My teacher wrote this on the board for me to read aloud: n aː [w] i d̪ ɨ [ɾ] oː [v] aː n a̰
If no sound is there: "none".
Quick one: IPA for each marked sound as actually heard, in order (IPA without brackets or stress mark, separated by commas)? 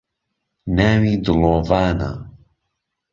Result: w, l, v